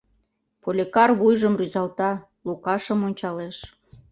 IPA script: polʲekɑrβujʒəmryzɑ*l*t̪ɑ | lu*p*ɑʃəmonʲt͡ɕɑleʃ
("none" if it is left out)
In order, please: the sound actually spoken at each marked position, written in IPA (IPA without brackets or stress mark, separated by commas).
l, k